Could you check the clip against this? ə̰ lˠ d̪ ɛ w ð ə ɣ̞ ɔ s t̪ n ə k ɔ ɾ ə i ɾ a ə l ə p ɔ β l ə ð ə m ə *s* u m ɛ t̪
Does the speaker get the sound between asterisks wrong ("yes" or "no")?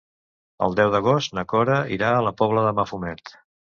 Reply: yes